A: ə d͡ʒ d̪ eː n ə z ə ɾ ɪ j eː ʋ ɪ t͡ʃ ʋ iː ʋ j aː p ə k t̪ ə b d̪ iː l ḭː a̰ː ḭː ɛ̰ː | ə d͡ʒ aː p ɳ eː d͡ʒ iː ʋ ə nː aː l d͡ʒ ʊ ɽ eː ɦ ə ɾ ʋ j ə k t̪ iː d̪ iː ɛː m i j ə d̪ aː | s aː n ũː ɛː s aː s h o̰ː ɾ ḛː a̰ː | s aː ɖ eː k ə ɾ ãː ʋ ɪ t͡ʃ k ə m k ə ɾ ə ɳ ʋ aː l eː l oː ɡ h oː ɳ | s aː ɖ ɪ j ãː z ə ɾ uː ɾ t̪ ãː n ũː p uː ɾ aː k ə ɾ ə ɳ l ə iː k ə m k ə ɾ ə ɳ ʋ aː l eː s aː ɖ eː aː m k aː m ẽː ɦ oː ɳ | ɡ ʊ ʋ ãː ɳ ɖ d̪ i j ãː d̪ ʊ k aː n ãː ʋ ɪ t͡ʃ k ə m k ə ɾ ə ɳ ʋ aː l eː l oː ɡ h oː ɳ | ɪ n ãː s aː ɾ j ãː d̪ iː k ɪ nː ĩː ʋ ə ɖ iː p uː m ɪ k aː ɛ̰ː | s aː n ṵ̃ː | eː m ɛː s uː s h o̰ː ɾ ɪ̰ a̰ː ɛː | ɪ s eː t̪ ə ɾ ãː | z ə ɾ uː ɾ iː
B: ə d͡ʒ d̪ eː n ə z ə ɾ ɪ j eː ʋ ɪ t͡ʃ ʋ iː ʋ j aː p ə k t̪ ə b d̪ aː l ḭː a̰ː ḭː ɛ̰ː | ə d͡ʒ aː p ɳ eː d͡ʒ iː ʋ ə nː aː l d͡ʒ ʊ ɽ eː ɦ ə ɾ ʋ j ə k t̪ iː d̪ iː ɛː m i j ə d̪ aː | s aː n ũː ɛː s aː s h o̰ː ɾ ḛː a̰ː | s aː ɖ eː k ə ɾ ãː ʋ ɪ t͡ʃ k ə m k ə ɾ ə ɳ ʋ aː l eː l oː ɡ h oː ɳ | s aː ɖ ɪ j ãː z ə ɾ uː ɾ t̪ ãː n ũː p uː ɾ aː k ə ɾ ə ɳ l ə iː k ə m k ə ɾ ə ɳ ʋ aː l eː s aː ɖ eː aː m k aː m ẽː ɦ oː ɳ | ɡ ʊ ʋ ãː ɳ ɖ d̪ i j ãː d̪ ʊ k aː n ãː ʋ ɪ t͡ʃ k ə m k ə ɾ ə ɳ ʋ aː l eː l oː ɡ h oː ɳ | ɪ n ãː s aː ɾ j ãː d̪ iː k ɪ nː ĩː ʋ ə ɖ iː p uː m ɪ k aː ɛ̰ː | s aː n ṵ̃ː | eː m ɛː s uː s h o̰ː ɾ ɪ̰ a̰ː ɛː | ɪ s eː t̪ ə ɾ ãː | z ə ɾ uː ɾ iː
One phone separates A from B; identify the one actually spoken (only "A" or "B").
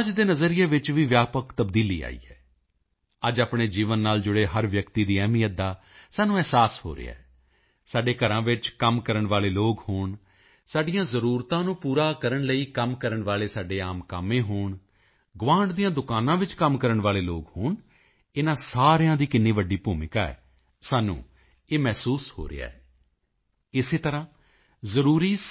A